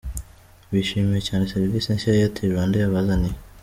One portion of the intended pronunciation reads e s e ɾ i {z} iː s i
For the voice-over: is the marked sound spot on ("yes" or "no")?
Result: no